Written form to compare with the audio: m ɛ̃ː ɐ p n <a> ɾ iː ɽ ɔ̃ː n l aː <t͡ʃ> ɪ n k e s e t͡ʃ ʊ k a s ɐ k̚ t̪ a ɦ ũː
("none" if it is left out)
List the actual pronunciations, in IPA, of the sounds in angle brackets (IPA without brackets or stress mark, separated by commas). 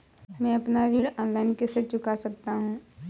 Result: a, none